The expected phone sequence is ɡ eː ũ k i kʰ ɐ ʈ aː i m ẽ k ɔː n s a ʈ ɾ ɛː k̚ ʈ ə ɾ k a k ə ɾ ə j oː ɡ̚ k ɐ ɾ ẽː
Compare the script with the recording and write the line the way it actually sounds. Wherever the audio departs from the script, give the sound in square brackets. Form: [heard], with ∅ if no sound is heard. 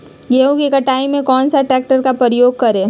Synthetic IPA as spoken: ɡ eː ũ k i [k] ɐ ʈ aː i m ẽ k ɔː n s a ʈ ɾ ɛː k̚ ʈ ə ɾ k a [p] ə ɾ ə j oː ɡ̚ k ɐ ɾ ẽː